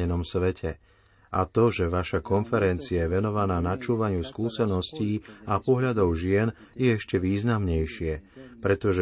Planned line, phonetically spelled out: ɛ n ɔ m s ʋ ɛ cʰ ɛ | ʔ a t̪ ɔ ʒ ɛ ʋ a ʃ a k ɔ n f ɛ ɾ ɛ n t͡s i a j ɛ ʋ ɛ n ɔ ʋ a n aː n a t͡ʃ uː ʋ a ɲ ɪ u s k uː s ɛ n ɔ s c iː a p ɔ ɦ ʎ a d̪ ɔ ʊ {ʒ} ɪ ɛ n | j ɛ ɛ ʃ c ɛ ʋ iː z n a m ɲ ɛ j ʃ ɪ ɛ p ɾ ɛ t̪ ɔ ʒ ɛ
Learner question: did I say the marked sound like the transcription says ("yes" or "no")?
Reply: yes